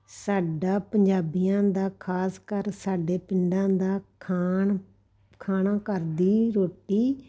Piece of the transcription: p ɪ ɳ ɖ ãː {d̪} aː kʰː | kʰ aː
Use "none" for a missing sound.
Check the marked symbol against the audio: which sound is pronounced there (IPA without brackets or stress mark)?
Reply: d̪